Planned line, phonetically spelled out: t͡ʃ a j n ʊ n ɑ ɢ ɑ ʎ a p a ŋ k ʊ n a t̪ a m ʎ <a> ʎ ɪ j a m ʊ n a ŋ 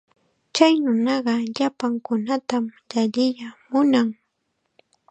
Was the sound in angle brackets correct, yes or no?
yes